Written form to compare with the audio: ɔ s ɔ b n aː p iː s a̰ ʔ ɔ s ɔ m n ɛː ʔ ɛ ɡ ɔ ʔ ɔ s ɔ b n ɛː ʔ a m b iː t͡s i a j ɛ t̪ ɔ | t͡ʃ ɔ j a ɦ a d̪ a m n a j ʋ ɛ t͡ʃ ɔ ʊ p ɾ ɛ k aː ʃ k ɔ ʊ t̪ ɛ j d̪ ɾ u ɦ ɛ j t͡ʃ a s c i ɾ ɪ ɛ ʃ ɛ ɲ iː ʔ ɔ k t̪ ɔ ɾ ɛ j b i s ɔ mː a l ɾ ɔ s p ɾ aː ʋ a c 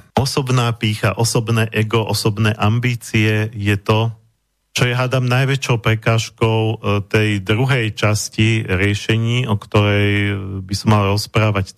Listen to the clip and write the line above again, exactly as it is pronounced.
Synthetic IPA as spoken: ɔ s ɔ b n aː p iː x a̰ ʔ ɔ s ɔ b n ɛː ʔ ɛ ɡ ɔ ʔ ɔ s ɔ b n ɛː ʔ a m b iː t͡s i ɛ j ɛ t̪ ɔ | t͡ʃ ɔ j a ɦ a d̪ a m n a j ʋ ɛ t͡ʃ ɔ ʊ p ɾ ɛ k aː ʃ k ɔ ʊ t̪ ɛ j d̪ ɾ u ɦ ɛ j t͡ʃ a s c i ɾ ɪ ɛ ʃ ɛ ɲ iː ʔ ɔ k t̪ ɔ ɾ ɛ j b i s ɔ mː a l ɾ ɔ s p ɾ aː ʋ a c